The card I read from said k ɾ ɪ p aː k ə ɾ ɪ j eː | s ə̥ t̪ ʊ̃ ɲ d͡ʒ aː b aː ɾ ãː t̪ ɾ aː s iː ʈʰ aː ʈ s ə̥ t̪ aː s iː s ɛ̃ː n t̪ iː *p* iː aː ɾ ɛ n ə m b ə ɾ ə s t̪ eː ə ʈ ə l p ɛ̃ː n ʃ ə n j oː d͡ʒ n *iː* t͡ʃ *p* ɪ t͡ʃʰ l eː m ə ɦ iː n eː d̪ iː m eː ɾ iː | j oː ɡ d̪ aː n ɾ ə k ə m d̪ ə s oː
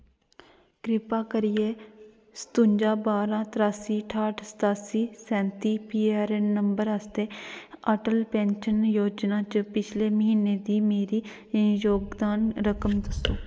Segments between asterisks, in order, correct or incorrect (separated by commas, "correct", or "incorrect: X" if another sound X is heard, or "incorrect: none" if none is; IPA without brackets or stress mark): correct, incorrect: aː, correct